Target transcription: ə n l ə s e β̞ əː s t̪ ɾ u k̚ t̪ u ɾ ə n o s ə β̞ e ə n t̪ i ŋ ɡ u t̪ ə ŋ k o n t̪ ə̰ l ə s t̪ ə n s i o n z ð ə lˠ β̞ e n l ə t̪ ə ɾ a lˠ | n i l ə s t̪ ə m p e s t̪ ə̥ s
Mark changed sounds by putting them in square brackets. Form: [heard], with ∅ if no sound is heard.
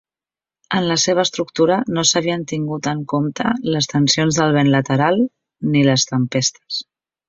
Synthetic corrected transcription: ə n l ə s e β̞ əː s t̪ ɾ u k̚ t̪ u ɾ ə n o s ə β̞ [i] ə n t̪ i ŋ ɡ u t̪ ə ŋ k o [m] t̪ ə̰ l ə s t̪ ə n s i o n z ð ə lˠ β̞ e n l ə t̪ ə ɾ a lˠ | n i l ə s t̪ ə m p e s t̪ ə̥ s